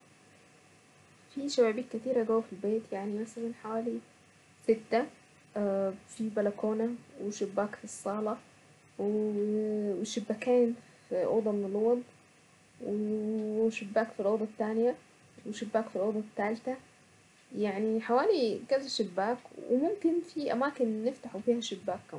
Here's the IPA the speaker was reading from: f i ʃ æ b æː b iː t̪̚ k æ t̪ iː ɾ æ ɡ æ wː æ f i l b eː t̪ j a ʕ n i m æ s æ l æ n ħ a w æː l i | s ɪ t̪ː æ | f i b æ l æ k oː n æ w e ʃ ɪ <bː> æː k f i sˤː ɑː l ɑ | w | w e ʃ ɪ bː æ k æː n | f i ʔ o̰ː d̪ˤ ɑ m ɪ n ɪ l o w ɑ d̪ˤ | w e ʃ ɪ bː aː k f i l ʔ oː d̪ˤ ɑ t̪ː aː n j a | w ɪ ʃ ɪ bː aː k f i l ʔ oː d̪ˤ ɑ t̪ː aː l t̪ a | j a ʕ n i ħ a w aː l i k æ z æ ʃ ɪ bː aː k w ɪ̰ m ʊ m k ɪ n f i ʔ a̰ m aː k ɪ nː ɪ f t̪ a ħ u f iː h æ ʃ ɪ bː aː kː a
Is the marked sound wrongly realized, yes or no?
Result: no